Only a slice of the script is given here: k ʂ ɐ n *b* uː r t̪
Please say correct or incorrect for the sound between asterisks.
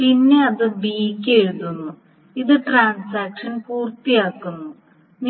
incorrect